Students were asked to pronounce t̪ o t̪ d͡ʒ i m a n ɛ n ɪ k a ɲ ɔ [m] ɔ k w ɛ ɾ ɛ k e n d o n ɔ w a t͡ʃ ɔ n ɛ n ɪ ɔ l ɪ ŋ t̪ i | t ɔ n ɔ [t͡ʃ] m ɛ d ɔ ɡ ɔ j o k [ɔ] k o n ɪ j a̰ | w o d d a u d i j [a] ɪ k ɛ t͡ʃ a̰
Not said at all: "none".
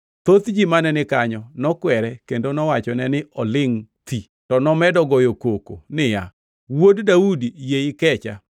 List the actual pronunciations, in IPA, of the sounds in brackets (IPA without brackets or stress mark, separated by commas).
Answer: n, none, o, e